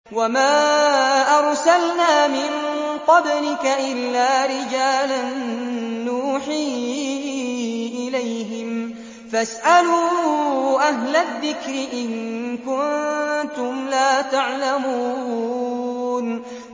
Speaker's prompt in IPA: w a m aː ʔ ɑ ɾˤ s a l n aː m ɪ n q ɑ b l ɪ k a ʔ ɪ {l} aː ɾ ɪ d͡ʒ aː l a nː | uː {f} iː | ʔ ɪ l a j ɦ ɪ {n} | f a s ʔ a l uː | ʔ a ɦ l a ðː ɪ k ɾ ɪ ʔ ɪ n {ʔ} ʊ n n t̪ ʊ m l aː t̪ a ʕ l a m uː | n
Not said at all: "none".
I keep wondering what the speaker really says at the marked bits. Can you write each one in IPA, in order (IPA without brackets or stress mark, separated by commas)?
lː, ħ, m, k